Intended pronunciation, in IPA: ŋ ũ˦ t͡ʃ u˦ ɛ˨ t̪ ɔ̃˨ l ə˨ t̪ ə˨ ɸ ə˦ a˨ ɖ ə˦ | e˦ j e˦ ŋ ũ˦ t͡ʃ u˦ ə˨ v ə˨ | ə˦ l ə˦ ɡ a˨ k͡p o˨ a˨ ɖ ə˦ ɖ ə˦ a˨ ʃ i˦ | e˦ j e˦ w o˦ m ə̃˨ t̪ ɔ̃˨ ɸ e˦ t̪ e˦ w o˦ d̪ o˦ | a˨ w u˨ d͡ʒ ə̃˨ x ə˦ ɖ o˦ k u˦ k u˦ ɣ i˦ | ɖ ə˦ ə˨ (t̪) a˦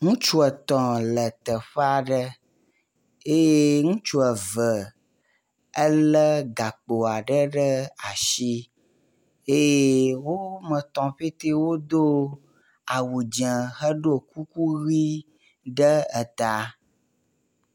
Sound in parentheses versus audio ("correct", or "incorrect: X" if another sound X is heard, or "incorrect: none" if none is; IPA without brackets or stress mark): correct